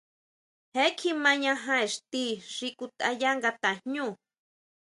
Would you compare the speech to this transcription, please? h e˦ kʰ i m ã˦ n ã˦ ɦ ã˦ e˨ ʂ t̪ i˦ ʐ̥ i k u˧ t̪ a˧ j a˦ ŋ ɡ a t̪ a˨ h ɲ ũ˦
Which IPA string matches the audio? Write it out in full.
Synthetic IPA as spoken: h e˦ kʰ i m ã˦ ɲ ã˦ ɦ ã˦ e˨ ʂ t̪ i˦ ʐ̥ i k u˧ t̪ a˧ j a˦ ŋ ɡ a t̪ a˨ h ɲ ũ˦